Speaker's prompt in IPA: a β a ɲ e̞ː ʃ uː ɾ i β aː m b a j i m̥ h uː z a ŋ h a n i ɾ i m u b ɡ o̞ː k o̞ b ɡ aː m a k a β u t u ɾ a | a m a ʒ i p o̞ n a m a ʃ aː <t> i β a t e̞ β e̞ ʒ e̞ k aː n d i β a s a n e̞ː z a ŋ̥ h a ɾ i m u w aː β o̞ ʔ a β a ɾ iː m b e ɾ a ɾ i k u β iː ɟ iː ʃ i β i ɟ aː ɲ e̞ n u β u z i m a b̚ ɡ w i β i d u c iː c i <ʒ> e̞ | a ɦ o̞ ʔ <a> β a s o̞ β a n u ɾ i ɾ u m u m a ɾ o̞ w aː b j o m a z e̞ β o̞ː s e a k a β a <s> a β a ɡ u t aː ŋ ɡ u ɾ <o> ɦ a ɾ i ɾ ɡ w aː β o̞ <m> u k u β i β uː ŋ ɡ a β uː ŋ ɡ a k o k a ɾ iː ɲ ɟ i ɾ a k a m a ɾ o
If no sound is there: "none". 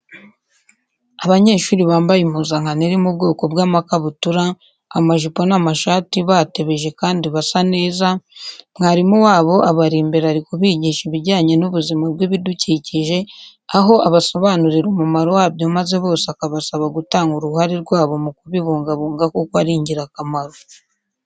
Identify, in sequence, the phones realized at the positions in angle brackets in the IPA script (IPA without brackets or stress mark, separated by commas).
t, ʒ, a, s, u, m